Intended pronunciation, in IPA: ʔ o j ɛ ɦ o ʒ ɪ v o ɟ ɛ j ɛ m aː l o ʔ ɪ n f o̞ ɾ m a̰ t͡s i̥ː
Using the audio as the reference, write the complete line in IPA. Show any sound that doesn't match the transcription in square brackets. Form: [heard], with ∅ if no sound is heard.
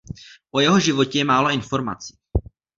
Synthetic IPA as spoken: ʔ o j ɛ ɦ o ʒ ɪ v o [c] ɛ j ɛ m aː l o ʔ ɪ n f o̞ ɾ m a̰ t͡s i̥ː